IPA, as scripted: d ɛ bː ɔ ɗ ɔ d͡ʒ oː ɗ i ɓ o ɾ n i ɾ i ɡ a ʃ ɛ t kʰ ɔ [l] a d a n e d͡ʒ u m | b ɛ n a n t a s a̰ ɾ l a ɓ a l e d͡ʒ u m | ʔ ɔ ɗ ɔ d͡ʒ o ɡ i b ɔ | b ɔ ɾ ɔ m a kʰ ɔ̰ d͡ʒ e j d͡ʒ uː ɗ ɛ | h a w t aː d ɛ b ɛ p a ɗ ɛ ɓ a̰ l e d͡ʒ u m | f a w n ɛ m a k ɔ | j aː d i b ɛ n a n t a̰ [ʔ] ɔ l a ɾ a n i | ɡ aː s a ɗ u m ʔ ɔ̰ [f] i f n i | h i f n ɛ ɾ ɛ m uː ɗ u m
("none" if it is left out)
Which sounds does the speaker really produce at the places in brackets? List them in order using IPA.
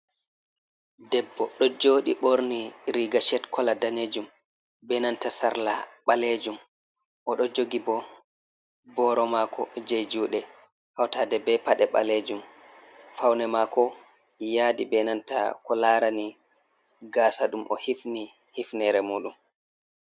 l, k, h

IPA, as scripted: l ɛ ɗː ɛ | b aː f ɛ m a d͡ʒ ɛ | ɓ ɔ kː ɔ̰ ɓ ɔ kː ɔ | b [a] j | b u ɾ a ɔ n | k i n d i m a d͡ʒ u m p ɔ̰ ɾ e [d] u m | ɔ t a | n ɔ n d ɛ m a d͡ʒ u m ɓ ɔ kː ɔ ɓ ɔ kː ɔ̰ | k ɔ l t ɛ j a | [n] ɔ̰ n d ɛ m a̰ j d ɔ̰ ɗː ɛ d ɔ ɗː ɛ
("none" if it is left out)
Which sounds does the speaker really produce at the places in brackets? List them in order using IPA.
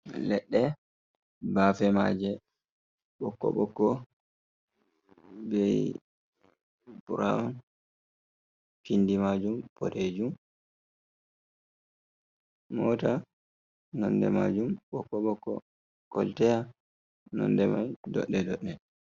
ɛ, d͡ʒ, n

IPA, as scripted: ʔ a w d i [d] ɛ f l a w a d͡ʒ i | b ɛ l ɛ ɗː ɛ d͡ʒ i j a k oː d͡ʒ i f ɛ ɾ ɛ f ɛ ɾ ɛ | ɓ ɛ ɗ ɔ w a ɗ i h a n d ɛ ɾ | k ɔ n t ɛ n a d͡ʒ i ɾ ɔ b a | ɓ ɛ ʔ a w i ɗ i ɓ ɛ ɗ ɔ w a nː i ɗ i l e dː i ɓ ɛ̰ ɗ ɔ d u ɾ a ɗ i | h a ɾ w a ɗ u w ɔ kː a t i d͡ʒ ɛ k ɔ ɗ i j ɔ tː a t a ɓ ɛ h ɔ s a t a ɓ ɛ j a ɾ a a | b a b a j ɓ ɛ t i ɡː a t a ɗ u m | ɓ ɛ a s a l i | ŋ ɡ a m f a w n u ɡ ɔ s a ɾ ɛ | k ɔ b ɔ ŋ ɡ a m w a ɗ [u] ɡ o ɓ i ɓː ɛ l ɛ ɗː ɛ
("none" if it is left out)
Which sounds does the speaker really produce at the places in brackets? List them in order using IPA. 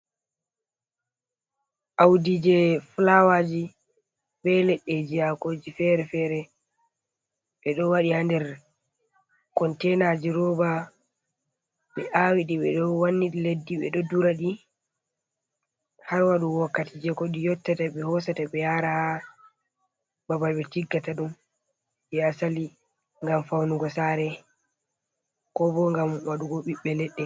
d͡ʒ, u

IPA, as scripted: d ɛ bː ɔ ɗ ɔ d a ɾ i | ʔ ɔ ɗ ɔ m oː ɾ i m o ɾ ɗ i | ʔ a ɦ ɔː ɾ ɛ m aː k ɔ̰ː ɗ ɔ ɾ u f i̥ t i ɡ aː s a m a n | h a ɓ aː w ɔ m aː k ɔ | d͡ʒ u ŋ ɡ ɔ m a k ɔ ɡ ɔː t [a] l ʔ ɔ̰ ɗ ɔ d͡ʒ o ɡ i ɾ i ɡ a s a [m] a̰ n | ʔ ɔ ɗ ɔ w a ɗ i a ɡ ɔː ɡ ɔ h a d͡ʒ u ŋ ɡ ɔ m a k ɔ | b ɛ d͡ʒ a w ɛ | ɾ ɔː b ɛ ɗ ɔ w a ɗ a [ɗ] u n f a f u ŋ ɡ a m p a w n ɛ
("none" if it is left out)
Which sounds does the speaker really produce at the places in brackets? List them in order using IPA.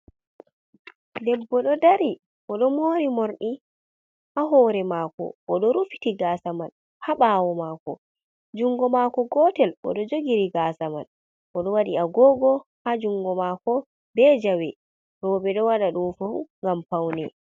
ɛ, m, ɗ

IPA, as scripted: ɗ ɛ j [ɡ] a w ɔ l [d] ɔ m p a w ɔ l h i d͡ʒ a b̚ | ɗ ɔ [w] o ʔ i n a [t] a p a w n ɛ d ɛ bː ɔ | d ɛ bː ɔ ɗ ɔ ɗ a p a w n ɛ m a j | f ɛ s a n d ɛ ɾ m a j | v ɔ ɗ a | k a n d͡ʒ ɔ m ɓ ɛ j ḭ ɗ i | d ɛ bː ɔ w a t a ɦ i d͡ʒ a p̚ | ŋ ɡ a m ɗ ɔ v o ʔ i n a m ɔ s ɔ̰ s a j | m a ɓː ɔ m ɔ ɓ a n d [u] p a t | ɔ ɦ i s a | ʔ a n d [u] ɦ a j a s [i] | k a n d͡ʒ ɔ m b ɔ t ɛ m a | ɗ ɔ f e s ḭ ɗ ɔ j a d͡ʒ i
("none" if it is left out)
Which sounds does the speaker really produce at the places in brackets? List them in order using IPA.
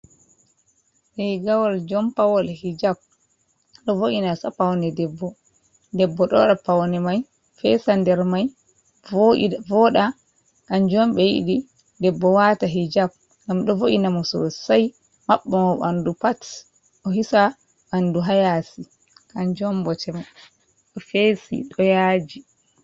ɡ, d͡ʒ, v, s, u, u, i

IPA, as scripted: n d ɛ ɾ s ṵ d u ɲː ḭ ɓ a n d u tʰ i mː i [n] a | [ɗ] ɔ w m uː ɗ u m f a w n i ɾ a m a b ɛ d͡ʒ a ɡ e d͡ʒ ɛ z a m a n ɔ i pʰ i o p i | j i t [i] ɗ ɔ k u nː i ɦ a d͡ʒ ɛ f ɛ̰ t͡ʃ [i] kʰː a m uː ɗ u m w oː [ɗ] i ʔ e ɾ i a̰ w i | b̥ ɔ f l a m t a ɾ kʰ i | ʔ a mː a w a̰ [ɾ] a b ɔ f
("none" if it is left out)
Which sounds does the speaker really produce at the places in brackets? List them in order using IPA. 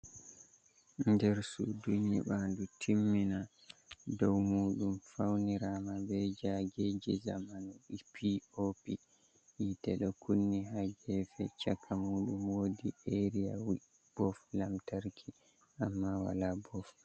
n, d, ɛ, a, d, l

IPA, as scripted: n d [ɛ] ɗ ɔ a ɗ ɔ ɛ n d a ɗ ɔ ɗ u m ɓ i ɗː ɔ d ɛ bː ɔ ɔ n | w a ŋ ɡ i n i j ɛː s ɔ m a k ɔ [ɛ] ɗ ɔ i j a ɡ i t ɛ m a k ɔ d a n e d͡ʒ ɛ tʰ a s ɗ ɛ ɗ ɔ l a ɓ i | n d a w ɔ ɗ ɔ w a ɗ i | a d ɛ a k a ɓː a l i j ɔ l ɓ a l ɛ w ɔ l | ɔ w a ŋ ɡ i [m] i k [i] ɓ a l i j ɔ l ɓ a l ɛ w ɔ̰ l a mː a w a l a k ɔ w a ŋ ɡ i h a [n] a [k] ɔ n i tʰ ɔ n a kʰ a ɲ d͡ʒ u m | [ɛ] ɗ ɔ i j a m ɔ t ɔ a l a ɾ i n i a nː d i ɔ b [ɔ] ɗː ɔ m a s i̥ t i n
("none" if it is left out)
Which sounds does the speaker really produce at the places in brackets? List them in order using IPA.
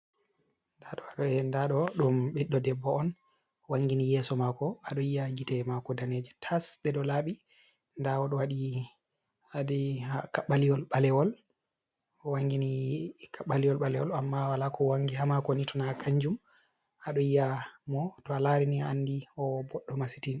a, a, n, a, m, k, a, ɔ

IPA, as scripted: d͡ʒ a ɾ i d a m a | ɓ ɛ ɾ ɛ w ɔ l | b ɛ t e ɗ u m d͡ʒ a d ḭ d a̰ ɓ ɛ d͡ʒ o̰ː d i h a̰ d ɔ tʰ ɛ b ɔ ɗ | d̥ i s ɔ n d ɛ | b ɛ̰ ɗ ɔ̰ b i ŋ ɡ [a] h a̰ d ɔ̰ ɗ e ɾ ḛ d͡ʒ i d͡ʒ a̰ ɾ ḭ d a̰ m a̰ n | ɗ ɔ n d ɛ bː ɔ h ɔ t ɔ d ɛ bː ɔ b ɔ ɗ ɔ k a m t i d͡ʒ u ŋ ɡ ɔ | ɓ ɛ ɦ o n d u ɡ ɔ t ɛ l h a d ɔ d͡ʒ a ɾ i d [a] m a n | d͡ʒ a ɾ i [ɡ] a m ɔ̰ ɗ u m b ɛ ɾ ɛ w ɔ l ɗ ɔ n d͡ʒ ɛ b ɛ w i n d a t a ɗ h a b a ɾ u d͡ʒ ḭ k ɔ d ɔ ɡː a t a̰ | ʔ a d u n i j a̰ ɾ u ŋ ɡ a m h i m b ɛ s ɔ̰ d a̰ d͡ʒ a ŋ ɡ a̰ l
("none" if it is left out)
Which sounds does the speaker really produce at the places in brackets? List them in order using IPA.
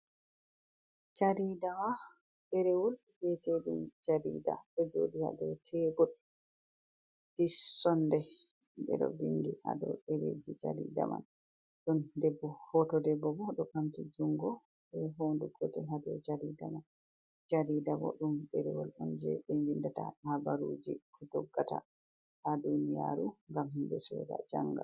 i, a, d

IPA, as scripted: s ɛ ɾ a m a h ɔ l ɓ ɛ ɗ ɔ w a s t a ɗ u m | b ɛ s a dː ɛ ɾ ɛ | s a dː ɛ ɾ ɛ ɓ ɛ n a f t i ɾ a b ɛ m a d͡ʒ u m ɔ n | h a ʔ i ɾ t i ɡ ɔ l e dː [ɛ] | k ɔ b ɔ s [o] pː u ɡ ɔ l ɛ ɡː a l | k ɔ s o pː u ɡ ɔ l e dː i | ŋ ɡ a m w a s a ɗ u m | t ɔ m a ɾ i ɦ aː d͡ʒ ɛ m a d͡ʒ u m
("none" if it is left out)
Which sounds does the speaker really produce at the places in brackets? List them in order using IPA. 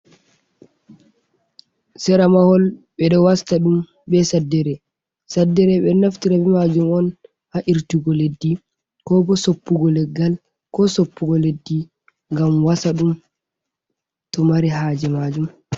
i, o

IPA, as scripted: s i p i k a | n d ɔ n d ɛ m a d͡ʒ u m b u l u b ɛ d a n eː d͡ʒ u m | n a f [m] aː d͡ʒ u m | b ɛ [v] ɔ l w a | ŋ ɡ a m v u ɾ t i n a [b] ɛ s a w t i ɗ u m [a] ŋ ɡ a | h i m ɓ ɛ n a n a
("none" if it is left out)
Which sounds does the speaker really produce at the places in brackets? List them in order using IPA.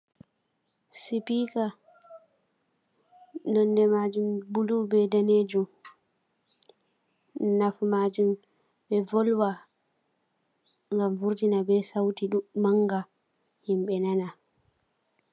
m, v, b, a

